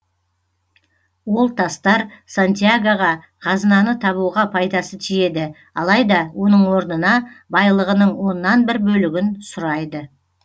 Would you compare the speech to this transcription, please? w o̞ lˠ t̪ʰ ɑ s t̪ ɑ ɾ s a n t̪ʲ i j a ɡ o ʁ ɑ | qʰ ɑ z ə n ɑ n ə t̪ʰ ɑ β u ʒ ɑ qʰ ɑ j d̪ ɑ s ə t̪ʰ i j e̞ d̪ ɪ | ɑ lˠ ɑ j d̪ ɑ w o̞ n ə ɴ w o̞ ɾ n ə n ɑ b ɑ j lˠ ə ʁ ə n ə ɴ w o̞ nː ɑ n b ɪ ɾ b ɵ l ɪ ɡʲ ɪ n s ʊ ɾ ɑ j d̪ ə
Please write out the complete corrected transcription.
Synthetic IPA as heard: w o̞ lˠ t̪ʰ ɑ s t̪ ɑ ɾ s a n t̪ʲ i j a ɡ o ʁ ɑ | qʰ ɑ z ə n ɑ n ə t̪ʰ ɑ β u ʁ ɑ pʰ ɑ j d̪ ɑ s ə t̪ʰ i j e̞ d̪ ɪ | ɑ lˠ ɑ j d̪ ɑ w o̞ n ə ɴ w o̞ ɾ n ə n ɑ b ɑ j lˠ ə ʁ ə n ə ɴ w o̞ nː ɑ n b ɪ ɾ b ɵ l ɪ ɡʲ ɪ n s ʊ ɾ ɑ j d̪ ə

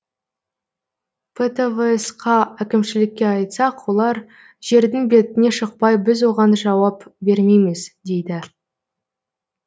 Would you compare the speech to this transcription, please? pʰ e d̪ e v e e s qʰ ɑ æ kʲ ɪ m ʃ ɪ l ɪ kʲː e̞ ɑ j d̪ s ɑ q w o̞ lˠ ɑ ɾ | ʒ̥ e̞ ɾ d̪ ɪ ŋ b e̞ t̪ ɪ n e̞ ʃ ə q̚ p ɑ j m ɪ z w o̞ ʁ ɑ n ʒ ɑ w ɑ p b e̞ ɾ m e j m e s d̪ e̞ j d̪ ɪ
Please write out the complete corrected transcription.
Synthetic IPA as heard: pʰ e t̪ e v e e s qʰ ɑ æ kʲ ɪ m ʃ ɪ l ɪ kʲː e̞ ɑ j t̪ s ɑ q w o̞ lˠ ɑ ɾ | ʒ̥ e̞ ɾ d̪ ɪ ŋ b e̞ t̪ ɪ n e̞ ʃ ə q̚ p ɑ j b ɪ z w o̞ ʁ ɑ n ʒ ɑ w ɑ p b e̞ ɾ m e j m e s d̪ e̞ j d̪ ɪ

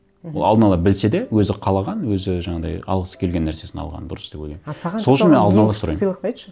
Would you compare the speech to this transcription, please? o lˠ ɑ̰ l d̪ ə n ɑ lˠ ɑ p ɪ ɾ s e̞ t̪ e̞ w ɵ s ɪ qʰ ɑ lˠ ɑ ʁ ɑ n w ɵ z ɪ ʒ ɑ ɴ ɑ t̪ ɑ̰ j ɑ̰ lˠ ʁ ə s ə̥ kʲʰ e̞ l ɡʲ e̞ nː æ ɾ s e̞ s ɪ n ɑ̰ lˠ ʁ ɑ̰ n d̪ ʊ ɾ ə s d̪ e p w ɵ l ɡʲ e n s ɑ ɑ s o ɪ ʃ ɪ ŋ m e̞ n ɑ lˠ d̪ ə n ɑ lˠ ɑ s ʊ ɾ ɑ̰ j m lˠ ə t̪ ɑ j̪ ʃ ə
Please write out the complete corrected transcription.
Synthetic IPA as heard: o lˠ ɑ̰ l d̪ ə n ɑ lˠ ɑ b ɪ l s e̞ d̪ e̞ w ɵ z ɪ qʰ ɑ lˠ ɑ ʁ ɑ n w ɵ z ɪ ʒ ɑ ɴ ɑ d̪ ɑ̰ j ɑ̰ lˠ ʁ ə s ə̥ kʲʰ e̞ l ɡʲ e̞ nː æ ɾ s e̞ s ɪ n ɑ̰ lˠ ʁ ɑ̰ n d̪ ʊ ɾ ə s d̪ e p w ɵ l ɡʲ e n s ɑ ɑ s o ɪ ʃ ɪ n m e̞ n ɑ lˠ d̪ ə n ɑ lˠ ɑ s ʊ ɾ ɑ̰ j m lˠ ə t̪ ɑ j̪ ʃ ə

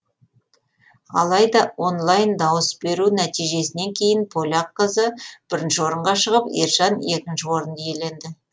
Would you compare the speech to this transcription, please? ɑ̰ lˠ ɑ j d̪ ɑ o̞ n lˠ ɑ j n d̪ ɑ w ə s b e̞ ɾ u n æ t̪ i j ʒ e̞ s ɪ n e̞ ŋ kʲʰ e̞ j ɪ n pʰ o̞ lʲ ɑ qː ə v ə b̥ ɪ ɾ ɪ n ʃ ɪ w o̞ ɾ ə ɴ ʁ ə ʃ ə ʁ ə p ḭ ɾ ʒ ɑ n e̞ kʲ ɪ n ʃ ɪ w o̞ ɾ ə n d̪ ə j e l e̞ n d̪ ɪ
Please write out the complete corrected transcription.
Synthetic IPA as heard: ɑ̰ lˠ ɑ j d̪ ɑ o̞ n lˠ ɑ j n d̪ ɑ w ə s b e̞ ɾ u n æ t̪ i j ʒ e̞ s ɪ n e̞ ŋ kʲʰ e̞ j ɪ n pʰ o̞ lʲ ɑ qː ə z ə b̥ ɪ ɾ ɪ n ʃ ɪ w o̞ ɾ ə ɴ ʁ ɑ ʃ ə ʁ ə p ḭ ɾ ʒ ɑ n e̞ kʲ ɪ n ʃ ɪ w o̞ ɾ ə n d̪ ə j e l e̞ n d̪ ɪ

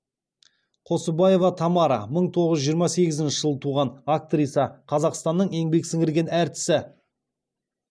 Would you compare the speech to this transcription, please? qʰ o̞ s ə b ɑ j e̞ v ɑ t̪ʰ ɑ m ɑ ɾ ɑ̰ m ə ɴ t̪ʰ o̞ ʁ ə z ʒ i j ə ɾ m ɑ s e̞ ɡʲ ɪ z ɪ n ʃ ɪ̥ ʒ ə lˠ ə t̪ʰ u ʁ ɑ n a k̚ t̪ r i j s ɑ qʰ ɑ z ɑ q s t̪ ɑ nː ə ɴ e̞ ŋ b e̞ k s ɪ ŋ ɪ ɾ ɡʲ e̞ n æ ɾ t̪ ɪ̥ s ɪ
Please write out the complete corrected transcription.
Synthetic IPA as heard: qʰ o̞ s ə b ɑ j e̞ v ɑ t̪ʰ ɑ m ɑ ɾ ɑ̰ m ə ɴ t̪ʰ o̞ ʁ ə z ʒ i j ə ɾ m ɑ s e̞ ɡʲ ɪ z ɪ n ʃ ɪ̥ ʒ ə lˠ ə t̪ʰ u ʁ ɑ n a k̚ t̪ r i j s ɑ qʰ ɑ z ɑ q s t̪ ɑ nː ə ɴ e̞ ŋ b e̞ k s ɪ ŋ ɪ ɾ ɡʲ e̞ n æ ɾ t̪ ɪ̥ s ɪ

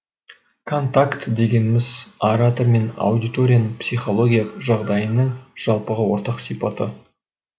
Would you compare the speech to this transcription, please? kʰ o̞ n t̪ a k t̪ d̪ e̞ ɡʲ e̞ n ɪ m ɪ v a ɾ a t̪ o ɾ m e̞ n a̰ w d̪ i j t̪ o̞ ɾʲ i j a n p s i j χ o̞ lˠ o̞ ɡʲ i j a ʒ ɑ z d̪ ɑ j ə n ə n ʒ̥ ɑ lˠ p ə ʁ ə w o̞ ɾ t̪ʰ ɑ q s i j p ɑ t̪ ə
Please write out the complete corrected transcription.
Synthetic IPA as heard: kʰ o̞ n t̪ a k t̪ d̪ e̞ ɡʲ e̞ n ɪ m ɪ z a ɾ a t̪ o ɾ m e̞ n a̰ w d̪ i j t̪ o̞ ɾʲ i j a n p s i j χ o̞ lˠ o̞ ɡʲ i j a ʒ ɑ ʁ d̪ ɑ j ə n ə ɴ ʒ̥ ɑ lˠ p ə ʁ ə w o̞ ɾ t̪ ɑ q s i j p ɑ t̪ ə

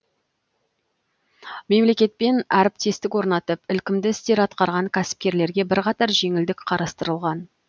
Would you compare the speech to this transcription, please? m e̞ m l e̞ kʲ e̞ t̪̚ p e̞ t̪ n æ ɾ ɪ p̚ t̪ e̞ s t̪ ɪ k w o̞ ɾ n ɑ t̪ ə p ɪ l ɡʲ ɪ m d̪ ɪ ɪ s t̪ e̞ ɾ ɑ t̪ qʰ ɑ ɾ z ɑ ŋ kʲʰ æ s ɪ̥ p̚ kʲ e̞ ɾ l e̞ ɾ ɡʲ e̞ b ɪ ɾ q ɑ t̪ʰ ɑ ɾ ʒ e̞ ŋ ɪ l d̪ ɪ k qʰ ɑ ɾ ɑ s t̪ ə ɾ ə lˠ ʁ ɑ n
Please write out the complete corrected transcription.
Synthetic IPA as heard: m e̞ m l e̞ kʲ e̞ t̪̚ p e̞ n æ ɾ ɪ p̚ t̪ e̞ s t̪ ɪ k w o̞ ɾ n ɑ t̪ ə p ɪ l kʲ ɪ m d̪ ɪ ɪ s t̪ e̞ ɾ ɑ t̪ q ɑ ɾ ʁ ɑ ŋ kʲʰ æ s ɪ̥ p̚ kʲ e̞ ɾ l e̞ ɾ ɡʲ e̞ b ɪ ɾ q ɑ t̪ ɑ ɾ ʒ e̞ ŋ ɪ l d̪ ɪ k qʰ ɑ ɾ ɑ s t̪ ə ɾ ə lˠ ʁ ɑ n

